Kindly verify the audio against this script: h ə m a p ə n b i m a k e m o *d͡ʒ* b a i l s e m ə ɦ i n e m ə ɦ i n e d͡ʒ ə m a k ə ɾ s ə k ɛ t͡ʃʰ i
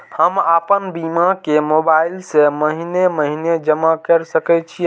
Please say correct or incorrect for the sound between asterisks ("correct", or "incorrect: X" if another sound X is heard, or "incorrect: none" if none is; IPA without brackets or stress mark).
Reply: incorrect: none